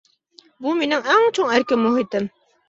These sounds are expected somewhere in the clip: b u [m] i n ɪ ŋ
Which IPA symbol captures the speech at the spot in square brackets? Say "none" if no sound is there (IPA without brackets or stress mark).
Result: m